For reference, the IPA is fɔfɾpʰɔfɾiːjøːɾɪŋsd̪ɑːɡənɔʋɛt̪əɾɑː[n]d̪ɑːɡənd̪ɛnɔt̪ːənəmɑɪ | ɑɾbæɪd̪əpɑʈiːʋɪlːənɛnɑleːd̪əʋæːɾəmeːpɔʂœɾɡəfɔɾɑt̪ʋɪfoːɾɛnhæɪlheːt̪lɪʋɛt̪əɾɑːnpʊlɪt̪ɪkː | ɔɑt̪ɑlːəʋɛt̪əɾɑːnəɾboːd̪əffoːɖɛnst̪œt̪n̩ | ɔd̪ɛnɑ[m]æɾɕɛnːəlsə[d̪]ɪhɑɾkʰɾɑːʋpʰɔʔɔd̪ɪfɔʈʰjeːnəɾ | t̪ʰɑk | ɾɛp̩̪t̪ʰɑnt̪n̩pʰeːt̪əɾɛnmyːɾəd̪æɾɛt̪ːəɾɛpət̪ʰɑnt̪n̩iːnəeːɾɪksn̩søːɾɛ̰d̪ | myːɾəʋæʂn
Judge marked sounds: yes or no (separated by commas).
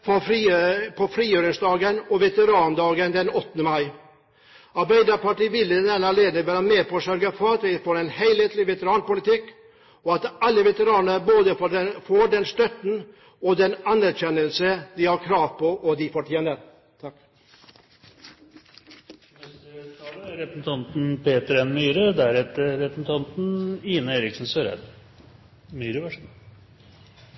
yes, no, yes